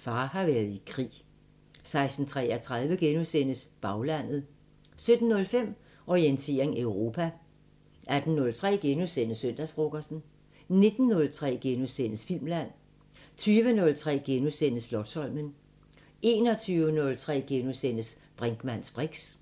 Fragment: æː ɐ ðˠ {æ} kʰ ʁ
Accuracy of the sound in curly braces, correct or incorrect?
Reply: incorrect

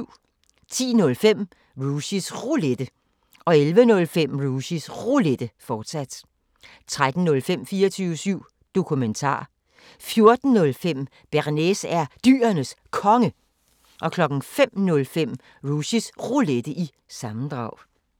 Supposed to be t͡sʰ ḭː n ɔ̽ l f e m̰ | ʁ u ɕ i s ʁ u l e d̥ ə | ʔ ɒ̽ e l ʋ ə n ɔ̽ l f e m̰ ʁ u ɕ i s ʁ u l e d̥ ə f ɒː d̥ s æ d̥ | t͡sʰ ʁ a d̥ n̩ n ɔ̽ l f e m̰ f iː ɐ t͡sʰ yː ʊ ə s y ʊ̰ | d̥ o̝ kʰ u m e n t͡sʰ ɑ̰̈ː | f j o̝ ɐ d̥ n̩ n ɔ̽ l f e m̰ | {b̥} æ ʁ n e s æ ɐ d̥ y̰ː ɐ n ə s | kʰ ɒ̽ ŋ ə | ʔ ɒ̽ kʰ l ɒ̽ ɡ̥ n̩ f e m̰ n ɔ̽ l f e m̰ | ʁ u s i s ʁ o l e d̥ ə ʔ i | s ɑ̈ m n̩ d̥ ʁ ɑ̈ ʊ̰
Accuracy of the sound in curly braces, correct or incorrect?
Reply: correct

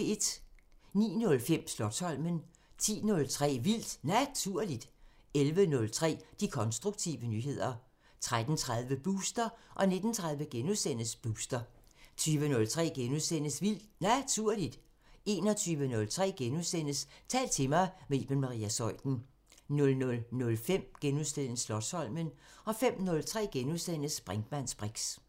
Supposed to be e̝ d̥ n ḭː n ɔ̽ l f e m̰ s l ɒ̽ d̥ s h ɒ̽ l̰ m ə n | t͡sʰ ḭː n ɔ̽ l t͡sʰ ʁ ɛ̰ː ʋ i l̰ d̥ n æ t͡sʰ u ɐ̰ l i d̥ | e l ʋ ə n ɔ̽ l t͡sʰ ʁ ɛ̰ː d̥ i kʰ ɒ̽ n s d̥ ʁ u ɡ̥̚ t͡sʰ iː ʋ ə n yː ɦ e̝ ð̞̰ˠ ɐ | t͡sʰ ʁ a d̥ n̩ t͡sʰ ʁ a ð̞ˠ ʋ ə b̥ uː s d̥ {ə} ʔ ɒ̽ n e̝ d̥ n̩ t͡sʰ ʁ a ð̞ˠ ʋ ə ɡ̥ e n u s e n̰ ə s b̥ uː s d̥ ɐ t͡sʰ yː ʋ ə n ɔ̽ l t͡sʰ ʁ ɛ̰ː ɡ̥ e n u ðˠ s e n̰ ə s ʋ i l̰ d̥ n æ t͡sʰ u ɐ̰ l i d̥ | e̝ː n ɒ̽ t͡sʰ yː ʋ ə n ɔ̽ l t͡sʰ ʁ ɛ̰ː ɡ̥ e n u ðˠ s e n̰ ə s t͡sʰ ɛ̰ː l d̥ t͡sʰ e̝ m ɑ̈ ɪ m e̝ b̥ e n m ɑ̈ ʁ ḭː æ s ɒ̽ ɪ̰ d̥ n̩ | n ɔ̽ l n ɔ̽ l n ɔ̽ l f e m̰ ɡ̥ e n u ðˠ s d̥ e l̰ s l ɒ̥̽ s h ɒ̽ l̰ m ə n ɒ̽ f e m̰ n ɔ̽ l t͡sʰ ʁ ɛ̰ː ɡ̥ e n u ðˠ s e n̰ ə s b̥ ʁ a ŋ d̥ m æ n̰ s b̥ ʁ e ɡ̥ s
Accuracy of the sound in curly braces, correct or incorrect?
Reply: incorrect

